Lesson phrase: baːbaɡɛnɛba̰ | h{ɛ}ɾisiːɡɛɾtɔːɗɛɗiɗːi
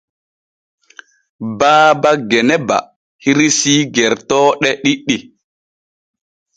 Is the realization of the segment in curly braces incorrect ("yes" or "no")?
yes